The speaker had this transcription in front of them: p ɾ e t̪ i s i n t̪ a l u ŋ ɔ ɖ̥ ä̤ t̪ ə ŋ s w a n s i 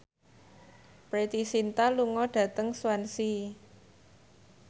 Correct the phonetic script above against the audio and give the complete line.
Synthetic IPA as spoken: p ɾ e t̪ i s i n t̪ a l u ŋ ɔ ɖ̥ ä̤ t̪ ə ŋ s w a n s i